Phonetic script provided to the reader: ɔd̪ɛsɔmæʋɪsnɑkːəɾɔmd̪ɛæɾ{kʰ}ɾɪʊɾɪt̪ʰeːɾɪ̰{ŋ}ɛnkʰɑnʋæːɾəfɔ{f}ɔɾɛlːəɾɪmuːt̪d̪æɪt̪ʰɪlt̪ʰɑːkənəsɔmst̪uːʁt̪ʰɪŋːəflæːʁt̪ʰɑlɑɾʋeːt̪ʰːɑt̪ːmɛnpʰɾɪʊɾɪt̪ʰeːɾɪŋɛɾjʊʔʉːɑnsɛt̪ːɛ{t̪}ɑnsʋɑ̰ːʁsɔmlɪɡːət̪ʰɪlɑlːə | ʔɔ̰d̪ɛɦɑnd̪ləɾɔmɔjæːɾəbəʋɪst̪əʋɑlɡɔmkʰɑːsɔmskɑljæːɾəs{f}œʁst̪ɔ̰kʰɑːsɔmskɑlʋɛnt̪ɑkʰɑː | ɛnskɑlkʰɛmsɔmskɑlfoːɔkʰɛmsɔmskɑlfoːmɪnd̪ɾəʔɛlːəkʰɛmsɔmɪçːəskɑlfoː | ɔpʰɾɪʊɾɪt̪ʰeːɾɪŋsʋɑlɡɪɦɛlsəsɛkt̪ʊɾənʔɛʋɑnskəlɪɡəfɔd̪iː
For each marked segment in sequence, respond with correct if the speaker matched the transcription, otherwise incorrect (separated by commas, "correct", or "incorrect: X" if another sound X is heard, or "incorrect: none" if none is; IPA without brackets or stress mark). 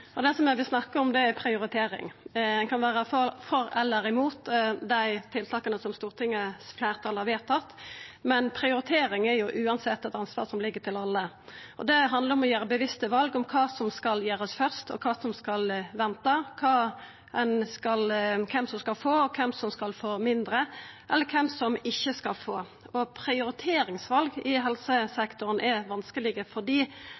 incorrect: pʰ, correct, correct, correct, correct